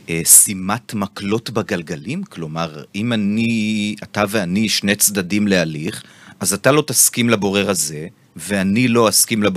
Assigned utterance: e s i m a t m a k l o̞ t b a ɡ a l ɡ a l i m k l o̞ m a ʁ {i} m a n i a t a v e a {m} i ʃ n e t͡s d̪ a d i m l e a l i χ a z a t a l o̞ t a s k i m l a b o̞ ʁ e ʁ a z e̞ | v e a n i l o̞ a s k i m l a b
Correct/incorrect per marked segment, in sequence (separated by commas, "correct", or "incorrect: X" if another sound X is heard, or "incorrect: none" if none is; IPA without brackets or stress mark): correct, incorrect: n